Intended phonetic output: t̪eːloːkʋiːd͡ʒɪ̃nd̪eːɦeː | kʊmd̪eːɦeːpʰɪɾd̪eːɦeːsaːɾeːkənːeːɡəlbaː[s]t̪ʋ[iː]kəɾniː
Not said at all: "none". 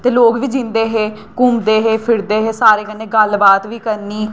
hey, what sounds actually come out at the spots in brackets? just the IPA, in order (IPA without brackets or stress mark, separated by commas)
none, iː